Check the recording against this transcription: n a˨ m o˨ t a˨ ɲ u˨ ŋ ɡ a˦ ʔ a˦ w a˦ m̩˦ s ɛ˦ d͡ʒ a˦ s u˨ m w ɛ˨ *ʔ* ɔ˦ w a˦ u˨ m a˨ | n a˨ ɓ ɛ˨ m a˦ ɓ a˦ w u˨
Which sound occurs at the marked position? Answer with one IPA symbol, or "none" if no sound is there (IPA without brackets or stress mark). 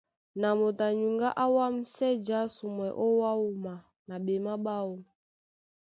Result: ʔ